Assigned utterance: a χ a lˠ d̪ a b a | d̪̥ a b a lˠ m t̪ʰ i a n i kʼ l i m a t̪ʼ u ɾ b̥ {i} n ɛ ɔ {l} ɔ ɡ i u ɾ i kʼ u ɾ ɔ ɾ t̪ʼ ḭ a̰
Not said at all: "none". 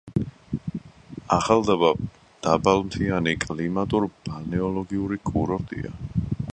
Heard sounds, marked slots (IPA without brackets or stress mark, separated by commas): a, l